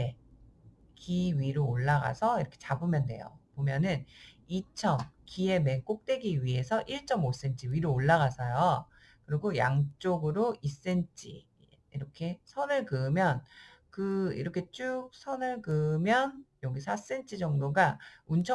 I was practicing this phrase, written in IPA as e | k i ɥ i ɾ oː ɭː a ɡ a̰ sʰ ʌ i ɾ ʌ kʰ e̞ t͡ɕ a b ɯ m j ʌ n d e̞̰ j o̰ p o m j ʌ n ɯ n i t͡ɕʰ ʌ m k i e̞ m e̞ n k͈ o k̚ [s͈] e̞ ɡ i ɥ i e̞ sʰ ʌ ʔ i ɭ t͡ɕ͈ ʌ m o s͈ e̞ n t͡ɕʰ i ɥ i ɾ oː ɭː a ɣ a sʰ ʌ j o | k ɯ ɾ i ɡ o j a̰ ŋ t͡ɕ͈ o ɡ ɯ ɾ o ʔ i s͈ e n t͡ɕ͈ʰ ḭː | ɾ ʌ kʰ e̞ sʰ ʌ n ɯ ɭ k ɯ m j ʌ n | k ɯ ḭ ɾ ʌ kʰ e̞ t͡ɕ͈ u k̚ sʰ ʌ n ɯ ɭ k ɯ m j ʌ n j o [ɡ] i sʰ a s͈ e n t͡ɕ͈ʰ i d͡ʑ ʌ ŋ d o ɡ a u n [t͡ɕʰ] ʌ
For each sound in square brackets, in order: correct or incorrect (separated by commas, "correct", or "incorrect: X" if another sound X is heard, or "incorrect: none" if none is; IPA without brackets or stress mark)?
incorrect: t͈, correct, correct